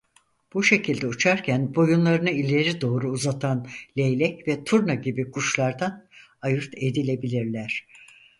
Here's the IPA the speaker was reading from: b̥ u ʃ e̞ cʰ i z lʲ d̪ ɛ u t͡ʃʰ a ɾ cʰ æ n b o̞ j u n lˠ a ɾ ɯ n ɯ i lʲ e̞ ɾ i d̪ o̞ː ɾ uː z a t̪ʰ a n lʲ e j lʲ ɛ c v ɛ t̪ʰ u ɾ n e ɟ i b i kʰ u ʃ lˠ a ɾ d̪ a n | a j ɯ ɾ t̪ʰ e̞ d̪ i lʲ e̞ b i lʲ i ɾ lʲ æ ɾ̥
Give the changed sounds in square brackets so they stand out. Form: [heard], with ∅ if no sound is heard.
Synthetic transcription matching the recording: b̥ u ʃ e̞ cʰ i [∅] lʲ d̪ ɛ u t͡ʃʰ a ɾ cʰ æ n b o̞ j u n lˠ a ɾ ɯ n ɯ i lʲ e̞ ɾ i d̪ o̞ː ɾ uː z a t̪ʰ a n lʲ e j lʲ ɛ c v ɛ t̪ʰ u ɾ n [a] ɟ i b i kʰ u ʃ lˠ a ɾ d̪ a n | a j ɯ ɾ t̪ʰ e̞ d̪ i lʲ e̞ b i lʲ i ɾ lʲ æ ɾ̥